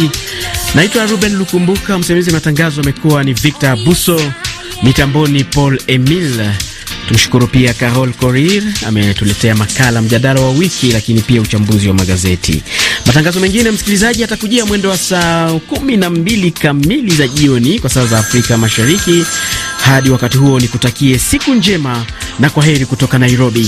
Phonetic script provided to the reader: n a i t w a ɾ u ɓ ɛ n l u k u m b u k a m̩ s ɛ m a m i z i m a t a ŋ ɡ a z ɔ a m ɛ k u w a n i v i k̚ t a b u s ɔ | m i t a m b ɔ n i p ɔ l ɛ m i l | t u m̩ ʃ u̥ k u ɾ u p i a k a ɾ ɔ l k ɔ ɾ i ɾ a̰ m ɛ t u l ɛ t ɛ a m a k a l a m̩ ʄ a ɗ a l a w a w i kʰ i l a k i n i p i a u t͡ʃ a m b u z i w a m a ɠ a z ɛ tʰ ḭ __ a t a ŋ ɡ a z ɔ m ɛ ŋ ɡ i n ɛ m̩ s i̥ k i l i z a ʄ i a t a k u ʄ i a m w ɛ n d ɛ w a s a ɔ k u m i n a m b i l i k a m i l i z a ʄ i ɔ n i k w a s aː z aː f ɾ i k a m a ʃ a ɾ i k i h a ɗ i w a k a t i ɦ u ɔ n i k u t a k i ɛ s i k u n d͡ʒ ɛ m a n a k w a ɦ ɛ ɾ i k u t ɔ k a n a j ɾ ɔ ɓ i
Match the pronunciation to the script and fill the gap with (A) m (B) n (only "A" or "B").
A